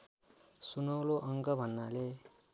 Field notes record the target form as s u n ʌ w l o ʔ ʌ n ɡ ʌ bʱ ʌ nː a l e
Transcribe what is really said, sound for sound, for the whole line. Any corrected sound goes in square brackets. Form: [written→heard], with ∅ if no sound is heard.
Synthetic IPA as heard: s u n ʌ w l o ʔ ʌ [n→ŋ] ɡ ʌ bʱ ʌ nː a l e